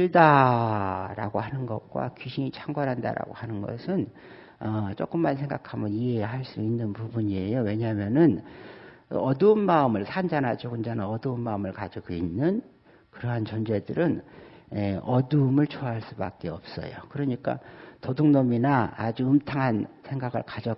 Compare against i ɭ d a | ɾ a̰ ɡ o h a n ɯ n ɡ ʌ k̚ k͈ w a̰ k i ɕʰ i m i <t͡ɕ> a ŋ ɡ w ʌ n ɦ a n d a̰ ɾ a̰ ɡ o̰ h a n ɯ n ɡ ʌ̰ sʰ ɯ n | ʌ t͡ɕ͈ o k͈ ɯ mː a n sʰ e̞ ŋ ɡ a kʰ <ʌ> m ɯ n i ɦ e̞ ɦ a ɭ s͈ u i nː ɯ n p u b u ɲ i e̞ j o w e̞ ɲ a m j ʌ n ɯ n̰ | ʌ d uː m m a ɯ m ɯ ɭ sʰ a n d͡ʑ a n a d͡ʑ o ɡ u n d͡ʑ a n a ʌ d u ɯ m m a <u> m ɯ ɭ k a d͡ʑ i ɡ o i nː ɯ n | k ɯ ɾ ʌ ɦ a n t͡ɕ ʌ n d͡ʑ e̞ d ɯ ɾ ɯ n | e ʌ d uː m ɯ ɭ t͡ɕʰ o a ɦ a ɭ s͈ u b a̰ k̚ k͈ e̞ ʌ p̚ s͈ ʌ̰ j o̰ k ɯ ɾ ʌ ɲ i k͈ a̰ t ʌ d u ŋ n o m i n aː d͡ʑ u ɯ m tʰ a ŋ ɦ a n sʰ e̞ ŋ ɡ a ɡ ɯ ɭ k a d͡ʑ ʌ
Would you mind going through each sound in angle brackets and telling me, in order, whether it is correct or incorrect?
incorrect: t͡ɕʰ, incorrect: a, incorrect: ɯ

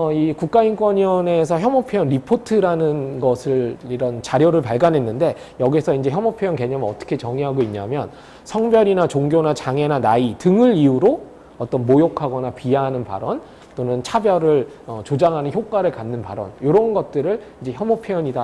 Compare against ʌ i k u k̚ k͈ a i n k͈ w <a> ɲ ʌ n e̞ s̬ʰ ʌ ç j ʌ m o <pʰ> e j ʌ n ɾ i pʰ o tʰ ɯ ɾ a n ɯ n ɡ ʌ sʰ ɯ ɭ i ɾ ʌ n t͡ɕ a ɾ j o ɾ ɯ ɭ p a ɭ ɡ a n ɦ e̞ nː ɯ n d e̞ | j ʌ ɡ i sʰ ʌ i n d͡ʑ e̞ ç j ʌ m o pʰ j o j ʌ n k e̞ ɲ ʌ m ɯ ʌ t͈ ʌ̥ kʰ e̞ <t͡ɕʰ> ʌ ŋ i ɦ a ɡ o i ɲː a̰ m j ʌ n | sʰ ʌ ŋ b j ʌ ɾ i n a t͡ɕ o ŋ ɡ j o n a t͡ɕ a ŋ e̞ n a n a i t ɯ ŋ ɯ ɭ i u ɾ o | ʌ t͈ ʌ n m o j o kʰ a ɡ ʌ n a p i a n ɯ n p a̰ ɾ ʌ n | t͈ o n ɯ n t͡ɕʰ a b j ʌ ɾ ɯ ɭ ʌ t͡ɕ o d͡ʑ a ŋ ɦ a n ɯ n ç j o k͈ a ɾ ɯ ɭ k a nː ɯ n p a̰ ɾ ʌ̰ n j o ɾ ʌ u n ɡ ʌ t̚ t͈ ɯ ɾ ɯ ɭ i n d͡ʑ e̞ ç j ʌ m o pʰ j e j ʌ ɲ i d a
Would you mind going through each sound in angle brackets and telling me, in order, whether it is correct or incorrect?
incorrect: ʌ, correct, incorrect: t͡ɕ

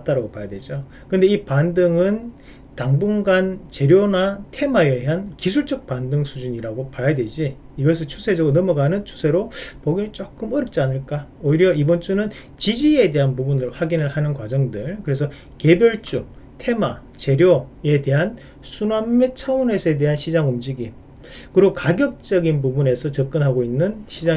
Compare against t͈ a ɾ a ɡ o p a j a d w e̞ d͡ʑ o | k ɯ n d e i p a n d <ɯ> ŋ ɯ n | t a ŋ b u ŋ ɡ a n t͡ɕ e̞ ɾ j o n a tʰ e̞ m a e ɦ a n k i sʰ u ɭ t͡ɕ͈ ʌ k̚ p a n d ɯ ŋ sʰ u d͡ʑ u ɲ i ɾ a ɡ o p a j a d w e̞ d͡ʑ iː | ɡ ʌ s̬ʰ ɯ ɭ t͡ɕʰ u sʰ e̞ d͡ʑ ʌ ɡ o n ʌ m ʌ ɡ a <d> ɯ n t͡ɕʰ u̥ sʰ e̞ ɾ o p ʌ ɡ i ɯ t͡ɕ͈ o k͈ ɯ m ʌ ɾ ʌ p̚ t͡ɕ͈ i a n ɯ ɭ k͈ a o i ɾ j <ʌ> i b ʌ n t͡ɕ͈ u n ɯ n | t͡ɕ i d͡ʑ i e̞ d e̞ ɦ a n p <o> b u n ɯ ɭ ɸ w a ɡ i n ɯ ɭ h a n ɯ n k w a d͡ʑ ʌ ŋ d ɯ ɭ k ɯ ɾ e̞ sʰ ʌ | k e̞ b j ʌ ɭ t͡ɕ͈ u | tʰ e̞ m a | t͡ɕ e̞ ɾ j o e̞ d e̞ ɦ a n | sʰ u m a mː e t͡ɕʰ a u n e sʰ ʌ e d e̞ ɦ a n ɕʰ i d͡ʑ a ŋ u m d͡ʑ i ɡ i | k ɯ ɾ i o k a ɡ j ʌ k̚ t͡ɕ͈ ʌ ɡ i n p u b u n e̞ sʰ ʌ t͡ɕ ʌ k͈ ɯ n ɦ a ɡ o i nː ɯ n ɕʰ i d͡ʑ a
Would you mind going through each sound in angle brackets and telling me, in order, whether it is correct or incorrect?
correct, incorrect: n, correct, incorrect: u

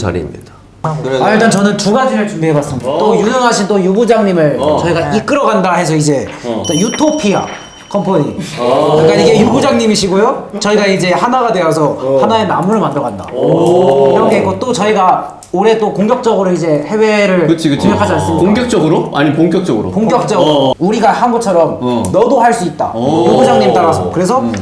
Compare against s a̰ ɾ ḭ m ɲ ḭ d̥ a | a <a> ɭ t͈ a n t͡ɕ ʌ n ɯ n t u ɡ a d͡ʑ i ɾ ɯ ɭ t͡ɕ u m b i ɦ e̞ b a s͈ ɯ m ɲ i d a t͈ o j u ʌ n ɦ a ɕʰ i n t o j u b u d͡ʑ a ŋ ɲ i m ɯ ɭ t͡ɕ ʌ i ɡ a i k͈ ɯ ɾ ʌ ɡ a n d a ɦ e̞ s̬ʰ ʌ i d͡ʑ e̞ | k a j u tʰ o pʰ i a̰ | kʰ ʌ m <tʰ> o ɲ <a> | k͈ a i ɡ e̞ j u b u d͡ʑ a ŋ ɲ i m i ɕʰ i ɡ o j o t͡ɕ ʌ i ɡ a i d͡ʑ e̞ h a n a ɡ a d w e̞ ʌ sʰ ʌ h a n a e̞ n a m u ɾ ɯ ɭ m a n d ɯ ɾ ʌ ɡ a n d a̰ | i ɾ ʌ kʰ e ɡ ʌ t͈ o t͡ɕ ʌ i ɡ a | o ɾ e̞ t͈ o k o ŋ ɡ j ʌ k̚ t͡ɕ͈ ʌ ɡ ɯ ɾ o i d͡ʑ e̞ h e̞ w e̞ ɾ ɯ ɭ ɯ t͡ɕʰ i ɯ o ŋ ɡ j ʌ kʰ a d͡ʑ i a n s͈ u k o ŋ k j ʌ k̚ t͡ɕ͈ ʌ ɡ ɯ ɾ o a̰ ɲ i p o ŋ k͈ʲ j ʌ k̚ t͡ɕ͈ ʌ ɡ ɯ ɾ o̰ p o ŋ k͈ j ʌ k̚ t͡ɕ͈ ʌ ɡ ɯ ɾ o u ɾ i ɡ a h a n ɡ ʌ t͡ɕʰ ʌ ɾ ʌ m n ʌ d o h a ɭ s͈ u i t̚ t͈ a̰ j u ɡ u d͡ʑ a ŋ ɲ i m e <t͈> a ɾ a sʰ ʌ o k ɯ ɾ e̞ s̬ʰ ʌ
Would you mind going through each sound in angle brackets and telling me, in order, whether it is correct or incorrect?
incorrect: i, incorrect: pʰ, incorrect: i, correct

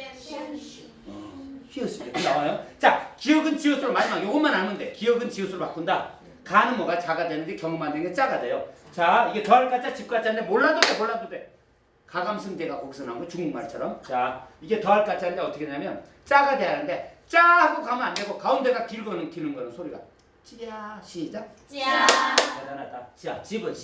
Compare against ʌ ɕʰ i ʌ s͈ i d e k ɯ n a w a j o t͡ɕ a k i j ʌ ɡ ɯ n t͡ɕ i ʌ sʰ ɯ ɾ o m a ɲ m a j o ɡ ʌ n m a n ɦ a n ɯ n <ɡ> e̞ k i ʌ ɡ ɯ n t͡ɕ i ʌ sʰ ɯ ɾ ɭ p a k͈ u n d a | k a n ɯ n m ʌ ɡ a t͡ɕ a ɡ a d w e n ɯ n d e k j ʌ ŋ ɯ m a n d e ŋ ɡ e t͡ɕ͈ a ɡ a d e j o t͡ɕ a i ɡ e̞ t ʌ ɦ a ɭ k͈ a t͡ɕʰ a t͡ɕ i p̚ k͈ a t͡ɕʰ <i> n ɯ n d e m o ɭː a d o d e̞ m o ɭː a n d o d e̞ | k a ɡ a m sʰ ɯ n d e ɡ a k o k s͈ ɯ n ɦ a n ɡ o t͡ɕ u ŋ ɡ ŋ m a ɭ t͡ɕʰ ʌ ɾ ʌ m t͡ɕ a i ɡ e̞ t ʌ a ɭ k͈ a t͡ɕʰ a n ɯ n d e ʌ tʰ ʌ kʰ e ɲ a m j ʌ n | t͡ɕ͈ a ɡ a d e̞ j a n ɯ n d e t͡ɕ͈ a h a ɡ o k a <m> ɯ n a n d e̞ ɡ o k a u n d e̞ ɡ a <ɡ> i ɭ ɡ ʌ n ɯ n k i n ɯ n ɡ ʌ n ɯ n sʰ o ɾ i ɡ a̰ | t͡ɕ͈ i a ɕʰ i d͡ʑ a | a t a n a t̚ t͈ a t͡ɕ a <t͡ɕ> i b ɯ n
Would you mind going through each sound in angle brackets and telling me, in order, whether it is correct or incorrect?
incorrect: d, incorrect: a, correct, incorrect: k, correct

